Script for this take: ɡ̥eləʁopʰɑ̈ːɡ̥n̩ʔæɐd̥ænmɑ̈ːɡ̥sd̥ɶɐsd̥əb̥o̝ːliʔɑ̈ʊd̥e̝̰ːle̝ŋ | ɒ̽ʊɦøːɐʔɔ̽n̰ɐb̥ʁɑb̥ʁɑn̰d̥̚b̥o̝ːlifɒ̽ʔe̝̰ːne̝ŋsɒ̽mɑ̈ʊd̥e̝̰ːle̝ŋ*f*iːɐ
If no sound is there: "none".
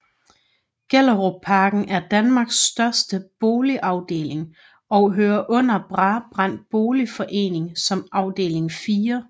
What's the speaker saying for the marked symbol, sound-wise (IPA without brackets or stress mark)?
f